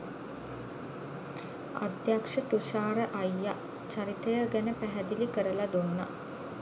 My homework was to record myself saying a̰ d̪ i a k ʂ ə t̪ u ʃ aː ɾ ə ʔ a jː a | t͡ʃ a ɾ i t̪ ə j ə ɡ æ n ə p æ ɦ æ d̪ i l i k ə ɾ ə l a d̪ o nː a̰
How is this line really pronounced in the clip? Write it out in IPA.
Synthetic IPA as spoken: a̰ d̪ j a k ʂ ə t̪ u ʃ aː ɾ ə ʔ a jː a | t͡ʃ a ɾ i t̪ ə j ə ɡ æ n ə p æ ɦ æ d̪ i l i k ə ɾ ə l a d̪ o nː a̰